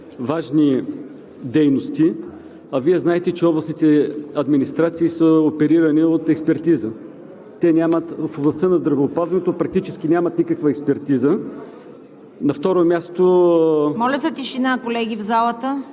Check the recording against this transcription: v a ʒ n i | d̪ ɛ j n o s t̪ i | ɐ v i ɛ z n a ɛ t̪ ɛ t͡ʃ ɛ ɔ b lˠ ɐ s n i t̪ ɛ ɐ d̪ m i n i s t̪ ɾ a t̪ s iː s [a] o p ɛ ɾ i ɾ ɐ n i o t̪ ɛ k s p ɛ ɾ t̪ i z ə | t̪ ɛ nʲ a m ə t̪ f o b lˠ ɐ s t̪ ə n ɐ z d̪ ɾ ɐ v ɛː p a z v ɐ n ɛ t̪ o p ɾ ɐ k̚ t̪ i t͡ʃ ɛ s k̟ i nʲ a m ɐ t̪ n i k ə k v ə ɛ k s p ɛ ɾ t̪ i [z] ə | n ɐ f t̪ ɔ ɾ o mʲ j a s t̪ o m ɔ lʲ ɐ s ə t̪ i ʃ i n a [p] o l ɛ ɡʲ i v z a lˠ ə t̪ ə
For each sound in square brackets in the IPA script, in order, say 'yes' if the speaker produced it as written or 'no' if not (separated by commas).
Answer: no, yes, no